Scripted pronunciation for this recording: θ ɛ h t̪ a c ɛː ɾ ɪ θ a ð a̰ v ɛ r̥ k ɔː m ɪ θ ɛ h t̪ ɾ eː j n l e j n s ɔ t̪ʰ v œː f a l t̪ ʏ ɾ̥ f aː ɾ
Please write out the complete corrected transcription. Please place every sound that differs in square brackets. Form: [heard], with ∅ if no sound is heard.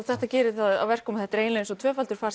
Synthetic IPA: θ ɛ h t̪ a c ɛː ɾ ɪ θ a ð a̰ v ɛ r̥ k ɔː m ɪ θ ɛ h t̪ ɾ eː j n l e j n s ɔ t̪ʰ v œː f a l t̪ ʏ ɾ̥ f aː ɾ